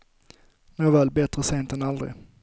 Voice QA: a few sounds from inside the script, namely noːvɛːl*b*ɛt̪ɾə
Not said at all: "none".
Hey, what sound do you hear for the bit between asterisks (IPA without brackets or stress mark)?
b